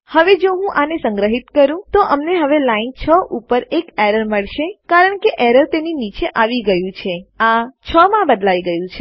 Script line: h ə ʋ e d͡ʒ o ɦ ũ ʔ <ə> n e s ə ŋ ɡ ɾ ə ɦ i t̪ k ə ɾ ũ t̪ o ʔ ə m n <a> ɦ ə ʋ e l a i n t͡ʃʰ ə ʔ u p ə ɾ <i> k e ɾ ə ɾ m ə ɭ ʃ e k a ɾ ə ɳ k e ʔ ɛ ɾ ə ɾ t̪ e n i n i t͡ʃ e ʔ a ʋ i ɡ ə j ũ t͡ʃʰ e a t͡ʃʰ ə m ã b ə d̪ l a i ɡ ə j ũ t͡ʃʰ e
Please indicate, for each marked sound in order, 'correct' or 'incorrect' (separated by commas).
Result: incorrect, incorrect, incorrect